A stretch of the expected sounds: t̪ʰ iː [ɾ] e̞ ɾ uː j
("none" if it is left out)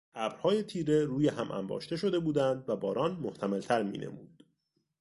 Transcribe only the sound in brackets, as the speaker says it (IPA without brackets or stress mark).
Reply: ɾ